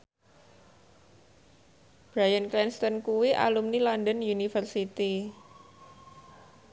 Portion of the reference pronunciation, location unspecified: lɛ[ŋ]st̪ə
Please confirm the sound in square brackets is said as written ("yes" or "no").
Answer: no